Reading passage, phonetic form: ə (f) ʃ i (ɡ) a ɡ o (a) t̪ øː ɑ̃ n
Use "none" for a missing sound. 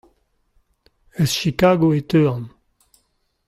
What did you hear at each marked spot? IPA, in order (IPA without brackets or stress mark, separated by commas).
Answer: s, k, e